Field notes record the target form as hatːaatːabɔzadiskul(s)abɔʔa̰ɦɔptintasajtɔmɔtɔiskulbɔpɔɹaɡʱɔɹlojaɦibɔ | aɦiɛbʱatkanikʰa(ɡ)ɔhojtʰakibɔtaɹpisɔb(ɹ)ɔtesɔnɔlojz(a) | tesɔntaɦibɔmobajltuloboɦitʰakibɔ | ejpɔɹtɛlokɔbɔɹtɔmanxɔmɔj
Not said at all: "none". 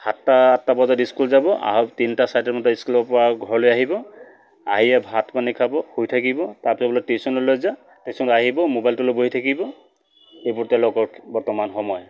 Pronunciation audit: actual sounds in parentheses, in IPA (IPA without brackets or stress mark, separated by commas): z, b, l, a